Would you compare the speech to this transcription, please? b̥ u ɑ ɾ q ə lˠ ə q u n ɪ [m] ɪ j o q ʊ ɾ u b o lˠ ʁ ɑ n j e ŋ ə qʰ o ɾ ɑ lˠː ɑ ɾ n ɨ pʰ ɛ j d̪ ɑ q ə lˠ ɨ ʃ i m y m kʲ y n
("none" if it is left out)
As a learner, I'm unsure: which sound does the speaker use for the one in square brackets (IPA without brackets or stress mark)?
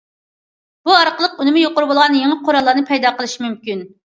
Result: m